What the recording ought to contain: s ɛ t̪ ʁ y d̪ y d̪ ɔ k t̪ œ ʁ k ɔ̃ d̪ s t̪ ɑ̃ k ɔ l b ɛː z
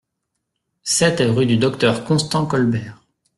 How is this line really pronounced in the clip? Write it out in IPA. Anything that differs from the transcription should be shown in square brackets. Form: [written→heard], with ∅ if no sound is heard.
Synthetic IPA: s ɛ t̪ ʁ y d̪ y d̪ ɔ k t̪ œ ʁ k ɔ̃ [d̪→∅] s t̪ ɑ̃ k ɔ l b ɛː [z→ʁ]